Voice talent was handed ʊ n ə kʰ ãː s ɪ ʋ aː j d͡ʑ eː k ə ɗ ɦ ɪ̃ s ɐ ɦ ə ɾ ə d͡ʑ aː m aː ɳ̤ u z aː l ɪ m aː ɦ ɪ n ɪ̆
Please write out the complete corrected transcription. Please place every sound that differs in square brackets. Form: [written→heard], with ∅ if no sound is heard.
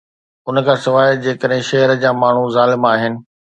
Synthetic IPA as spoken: ʊ n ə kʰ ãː s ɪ ʋ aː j d͡ʑ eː k ə ɗ ɦ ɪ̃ [s→ʃ] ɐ ɦ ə ɾ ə d͡ʑ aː m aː ɳ̤ u z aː l ɪ m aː ɦ ɪ n ɪ̆